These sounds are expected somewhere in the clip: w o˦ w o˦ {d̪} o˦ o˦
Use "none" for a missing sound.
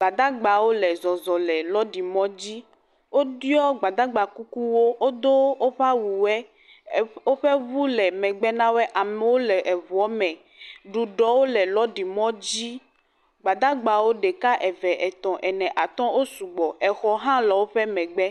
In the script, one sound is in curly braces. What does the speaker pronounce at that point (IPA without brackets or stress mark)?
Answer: d̪